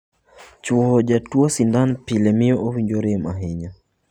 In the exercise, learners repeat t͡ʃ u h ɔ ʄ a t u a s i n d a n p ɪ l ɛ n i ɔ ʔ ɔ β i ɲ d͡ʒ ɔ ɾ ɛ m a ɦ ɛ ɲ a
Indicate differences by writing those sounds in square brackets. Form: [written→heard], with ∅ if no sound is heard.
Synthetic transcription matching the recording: t͡ʃ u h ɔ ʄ a t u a s i n d a n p [ɪ→i] l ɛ [n→m] i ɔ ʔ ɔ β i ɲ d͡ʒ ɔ ɾ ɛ m a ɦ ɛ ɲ a